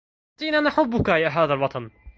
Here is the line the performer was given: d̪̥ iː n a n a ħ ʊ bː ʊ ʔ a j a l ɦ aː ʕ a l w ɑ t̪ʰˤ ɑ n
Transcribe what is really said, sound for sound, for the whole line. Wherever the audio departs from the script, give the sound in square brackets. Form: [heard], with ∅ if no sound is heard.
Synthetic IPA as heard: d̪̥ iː n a n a ħ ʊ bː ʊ [k] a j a [∅] ɦ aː [ð] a l w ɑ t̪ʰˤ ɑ n